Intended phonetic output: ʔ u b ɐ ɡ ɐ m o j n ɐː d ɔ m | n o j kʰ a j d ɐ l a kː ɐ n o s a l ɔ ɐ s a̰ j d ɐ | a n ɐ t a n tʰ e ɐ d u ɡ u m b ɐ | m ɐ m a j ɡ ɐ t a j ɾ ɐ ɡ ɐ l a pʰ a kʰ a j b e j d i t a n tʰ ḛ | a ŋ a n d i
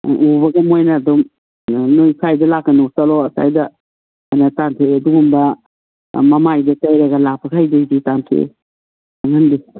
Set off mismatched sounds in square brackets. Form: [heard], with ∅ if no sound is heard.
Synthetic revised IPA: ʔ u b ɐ ɡ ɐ m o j n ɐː d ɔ m | n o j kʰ a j d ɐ l a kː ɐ n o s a l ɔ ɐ s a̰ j d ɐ | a n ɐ t a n tʰ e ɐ d u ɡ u m b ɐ | m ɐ m a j [d] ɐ t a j ɾ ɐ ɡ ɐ l a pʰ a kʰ a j [d] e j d i t a n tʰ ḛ | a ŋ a n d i